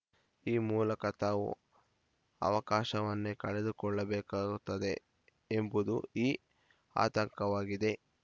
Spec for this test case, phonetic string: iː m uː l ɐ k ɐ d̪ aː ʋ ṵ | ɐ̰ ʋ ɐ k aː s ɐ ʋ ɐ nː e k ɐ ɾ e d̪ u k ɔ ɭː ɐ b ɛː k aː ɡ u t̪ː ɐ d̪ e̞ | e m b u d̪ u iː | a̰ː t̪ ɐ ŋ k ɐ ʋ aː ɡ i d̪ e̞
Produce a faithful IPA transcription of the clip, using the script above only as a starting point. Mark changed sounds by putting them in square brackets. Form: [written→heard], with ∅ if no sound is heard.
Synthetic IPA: iː m uː l ɐ k ɐ [d̪→t̪] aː ʋ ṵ | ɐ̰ ʋ ɐ k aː [s→ʃ] ɐ ʋ ɐ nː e k ɐ [ɾ→ɭ] e d̪ u k ɔ ɭː ɐ b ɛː k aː ɡ u t̪ː ɐ d̪ e̞ | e m b u d̪ u iː | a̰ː t̪ ɐ ŋ k ɐ ʋ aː ɡ i d̪ e̞